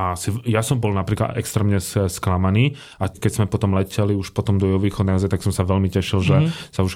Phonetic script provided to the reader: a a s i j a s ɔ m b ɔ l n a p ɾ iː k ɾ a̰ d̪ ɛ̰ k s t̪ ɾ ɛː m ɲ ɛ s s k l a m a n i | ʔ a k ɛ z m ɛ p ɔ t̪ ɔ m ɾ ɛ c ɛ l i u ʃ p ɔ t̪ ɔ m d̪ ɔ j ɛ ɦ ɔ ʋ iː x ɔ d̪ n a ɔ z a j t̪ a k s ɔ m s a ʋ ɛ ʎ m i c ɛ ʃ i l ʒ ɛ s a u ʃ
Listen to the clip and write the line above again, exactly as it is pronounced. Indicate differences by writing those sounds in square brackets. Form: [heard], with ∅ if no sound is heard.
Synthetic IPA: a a s i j a s ɔ m b ɔ l n a p ɾ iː k [l] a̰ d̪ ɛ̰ k s t̪ ɾ ɛː m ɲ ɛ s s k l a m a n [iː] | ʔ a k ɛ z m ɛ p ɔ t̪ ɔ m [l] ɛ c ɛ l i u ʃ p ɔ t̪ ɔ m d̪ ɔ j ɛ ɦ ɔ ʋ iː x ɔ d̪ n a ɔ z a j t̪ a k s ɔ m s a ʋ ɛ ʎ m i c ɛ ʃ i l ʒ ɛ s a u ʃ